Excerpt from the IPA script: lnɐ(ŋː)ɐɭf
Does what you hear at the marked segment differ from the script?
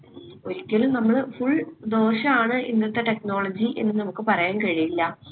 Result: yes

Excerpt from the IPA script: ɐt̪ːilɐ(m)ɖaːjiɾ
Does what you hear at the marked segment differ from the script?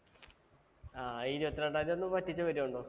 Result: yes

